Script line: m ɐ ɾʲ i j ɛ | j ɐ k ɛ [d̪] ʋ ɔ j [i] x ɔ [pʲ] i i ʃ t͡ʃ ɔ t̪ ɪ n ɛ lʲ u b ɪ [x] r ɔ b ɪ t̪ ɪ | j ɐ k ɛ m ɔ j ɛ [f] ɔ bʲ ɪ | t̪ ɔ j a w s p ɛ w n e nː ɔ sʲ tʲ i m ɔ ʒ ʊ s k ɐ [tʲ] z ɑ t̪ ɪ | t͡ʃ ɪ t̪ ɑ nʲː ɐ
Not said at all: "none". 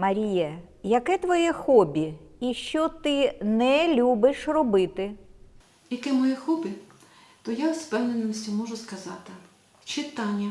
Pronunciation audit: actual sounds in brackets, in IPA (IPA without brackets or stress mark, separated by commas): t̪, ɛ, bʲ, ʃ, x, none